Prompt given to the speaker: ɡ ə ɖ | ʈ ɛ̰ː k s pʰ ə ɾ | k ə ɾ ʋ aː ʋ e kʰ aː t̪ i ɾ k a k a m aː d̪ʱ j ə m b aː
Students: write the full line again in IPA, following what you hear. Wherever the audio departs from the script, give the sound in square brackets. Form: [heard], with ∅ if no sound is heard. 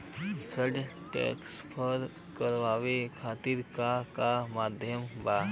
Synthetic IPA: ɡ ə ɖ | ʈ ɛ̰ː k s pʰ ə ɾ | k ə ɾ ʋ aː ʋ e kʰ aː t̪ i ɾ k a k a m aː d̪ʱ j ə m b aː